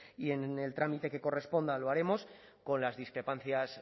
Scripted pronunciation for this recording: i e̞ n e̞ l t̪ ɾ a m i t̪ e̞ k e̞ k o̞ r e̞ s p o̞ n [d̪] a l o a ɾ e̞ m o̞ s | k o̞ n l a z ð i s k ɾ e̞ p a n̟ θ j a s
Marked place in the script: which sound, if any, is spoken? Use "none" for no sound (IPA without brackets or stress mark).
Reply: d̪